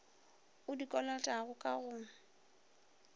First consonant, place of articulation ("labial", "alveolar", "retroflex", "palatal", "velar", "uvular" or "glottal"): alveolar